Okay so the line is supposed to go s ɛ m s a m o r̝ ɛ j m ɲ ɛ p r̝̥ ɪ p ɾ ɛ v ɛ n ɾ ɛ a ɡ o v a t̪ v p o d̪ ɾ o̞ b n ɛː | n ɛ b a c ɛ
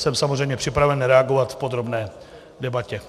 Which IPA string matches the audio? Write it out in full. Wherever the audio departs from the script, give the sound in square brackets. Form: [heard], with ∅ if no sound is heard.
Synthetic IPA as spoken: s ɛ m s a m o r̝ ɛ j m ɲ ɛ p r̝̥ ɪ p ɾ [a] v ɛ n ɾ ɛ a ɡ o v a t̪ [f] p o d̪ ɾ o̞ b n ɛː | [d] ɛ b a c ɛ